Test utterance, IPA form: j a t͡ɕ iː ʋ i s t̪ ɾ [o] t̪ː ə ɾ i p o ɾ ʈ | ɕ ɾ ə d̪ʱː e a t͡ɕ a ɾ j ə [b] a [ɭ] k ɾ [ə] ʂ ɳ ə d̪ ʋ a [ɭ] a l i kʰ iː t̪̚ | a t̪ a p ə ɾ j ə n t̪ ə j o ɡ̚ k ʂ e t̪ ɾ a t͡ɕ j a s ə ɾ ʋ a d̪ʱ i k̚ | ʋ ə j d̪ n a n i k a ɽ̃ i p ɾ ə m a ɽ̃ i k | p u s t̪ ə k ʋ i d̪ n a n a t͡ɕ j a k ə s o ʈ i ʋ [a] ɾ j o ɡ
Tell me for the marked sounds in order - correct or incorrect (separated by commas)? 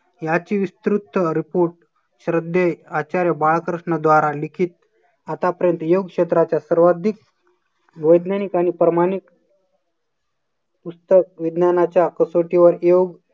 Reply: incorrect, correct, correct, correct, incorrect, incorrect